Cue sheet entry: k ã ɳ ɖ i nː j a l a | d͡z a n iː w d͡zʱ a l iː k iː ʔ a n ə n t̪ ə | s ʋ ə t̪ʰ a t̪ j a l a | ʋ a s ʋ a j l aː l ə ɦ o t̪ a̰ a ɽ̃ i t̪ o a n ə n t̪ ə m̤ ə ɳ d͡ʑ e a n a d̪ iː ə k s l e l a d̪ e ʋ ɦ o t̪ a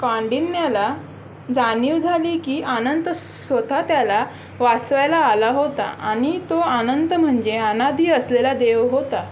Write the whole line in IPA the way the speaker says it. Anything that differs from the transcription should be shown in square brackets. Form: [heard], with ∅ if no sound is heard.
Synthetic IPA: k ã ɳ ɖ i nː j a l a | d͡z a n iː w d͡zʱ a l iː k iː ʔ a n ə n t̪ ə | s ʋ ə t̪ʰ a t̪ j a l a | ʋ a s ʋ a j l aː l [a] ɦ o t̪ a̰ a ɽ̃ i t̪ o a n ə n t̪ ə m̤ ə ɳ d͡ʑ e a n a d̪ iː ə [∅] s l e l a d̪ e ʋ ɦ o t̪ a